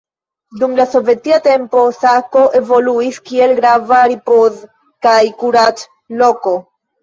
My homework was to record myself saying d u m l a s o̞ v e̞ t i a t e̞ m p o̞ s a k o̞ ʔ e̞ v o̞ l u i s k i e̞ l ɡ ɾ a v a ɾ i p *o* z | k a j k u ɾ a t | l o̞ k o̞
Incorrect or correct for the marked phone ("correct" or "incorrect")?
correct